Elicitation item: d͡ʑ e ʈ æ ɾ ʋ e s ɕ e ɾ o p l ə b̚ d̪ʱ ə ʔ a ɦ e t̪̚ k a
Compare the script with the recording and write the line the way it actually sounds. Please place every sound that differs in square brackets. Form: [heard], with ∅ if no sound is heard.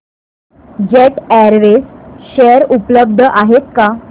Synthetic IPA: d͡ʑ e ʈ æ ɾ ʋ e s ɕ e ɾ [u] p l ə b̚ d̪ʱ ə ʔ a ɦ e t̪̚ k a